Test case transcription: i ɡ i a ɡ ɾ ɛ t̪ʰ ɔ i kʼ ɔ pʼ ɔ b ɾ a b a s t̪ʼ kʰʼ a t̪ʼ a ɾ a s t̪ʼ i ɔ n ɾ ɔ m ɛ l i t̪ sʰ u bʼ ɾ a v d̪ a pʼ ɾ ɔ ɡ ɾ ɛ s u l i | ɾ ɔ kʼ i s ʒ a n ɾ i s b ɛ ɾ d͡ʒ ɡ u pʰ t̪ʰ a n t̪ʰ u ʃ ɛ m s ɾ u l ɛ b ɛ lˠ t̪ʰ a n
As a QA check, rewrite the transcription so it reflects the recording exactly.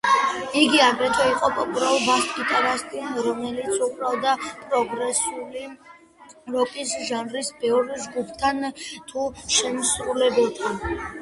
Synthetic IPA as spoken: i ɡ i a ɡ ɾ ɛ t̪ʰ ɔ i qʼ ɔ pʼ ɔ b ɾ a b a s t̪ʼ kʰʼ i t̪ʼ a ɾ a s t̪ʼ i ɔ n ɾ ɔ m ɛ l i t̪ sʰ u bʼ ɾ a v d̪ a pʼ ɾ ɔ ɡ ɾ ɛ s u l i | ɾ ɔ kʼ i s ʒ a n ɾ i s b ɛ ɾ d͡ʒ ɡ u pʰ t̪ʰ a n t̪ʰ u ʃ ɛ m s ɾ u l ɛ b ɛ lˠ t̪ʰ a n

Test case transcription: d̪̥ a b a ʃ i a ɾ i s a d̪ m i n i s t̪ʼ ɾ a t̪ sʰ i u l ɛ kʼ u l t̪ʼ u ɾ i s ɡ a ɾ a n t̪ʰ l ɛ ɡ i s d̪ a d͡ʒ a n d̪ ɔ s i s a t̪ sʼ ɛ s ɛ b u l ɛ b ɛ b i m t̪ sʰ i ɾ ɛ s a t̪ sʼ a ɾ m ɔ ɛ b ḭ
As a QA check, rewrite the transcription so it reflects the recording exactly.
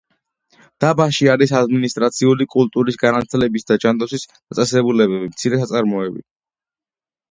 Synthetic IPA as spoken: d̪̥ a b a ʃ i a ɾ i s a d̪ m i n i s t̪ʼ ɾ a t̪ sʰ i u l i kʼ u l t̪ʼ u ɾ i s ɡ a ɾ a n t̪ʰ l ɛ b i s d̪ a d͡ʒ a n d̪ ɔ s i s a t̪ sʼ ɛ s ɛ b u l ɛ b ɛ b i m t̪ sʰ i ɾ ɛ s a t̪ sʼ a ɾ m ɔ ɛ b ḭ

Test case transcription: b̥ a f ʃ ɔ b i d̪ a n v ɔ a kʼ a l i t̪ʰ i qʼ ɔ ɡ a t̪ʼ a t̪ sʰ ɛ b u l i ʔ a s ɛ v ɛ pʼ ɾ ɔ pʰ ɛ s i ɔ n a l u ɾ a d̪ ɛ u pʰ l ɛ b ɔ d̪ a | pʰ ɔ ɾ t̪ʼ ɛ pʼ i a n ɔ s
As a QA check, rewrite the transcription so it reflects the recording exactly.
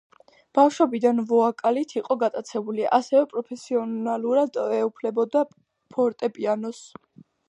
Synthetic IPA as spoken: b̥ a f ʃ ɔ b i d̪ a n v ɔ a kʼ a l i t̪ʰ i qʼ ɔ ɡ a t̪ʼ a t̪ sʰ ɛ b u l i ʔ a s ɛ v ɛ pʼ ɾ ɔ pʰ ɛ s i ɔ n a l u ɾ a d̪ ɛ u pʰ l ɛ b ɔ d̪ a | pʰ ɔ ɾ t̪ʼ ɛ pʼ i a n ɔ s

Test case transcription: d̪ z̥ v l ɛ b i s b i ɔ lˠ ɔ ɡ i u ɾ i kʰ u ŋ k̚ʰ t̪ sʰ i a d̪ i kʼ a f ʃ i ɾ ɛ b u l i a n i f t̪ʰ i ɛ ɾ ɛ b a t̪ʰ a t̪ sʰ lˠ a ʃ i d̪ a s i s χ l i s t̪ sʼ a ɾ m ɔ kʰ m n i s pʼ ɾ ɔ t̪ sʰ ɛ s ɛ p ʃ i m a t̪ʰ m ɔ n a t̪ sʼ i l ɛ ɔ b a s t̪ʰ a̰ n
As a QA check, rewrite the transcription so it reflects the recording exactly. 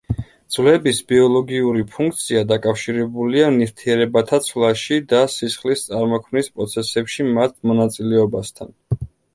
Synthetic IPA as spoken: d̪ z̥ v l ɛ b i s b i ɔ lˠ ɔ ɡ i u ɾ i pʰ u ŋ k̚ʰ t̪ sʰ i a d̪ a kʼ a f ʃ i ɾ ɛ b u l i a n i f t̪ʰ i ɛ ɾ ɛ b a t̪ʰ a t̪ sʰ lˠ a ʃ i d̪ a s i s χ l i s t̪ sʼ a ɾ m ɔ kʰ m n i s pʼ ɾ ɔ t̪ sʰ ɛ s ɛ p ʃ i m a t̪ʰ m ɔ n a t̪ sʼ i l ɛ ɔ b a s t̪ʰ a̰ n

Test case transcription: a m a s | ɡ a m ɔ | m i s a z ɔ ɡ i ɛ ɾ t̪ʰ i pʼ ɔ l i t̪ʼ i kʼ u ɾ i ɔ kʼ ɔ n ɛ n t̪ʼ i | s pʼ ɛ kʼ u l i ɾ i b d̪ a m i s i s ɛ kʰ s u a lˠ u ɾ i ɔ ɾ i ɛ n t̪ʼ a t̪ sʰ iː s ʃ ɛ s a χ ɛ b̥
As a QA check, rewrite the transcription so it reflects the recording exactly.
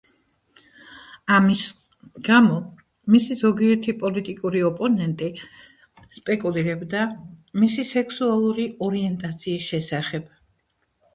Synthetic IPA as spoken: a m i s | ɡ a m ɔ | m i s i z ɔ ɡ i ɛ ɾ t̪ʰ i pʼ ɔ l i t̪ʼ i kʼ u ɾ i ɔ pʼ ɔ n ɛ n t̪ʼ i | s pʼ ɛ kʼ u l i ɾ ɛ b d̪ a m i s i s ɛ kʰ s u a lˠ u ɾ i ɔ ɾ i ɛ n t̪ʼ a t̪ sʰ iː s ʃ ɛ s a χ ɛ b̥

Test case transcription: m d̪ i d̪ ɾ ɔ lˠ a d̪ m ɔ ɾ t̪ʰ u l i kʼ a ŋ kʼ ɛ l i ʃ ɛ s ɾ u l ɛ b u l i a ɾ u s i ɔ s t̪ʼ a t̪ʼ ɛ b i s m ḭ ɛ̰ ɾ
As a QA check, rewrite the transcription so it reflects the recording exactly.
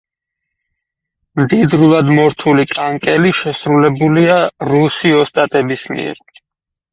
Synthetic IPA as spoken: m d̪ i d̪ ɾ u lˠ a d̪ m ɔ ɾ t̪ʰ u l i kʼ a ŋ kʼ ɛ l i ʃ ɛ s ɾ u l ɛ b u l i a ɾ u s i ɔ s t̪ʼ a t̪ʼ ɛ b i s m ḭ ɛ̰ ɾ

